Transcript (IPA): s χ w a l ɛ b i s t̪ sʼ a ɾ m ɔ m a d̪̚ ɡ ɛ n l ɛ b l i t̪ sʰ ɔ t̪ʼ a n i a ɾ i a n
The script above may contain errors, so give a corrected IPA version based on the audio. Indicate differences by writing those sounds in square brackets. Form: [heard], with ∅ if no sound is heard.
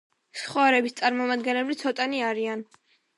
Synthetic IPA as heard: s χ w a [ɾ] ɛ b i s t̪ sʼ a ɾ m ɔ m a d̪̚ ɡ ɛ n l ɛ b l i t̪ sʰ ɔ t̪ʼ a n i a ɾ i a n